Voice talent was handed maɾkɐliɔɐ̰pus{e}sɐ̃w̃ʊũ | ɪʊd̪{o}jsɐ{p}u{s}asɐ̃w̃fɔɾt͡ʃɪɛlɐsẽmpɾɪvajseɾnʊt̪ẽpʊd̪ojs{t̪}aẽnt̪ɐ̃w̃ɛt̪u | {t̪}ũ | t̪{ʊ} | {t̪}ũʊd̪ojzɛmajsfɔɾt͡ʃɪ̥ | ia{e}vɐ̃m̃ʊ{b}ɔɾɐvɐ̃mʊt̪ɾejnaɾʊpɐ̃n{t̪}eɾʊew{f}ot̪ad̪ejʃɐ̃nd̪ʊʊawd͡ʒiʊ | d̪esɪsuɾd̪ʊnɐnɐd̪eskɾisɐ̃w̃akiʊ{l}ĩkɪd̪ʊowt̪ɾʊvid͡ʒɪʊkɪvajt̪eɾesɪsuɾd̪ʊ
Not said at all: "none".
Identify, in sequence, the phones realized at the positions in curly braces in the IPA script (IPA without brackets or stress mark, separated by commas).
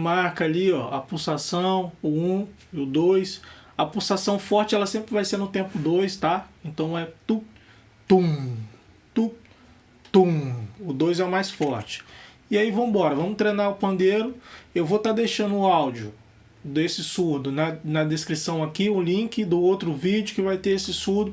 a, o, p, s, t̪, t̪, u, t̪, i, b, d̪, v, l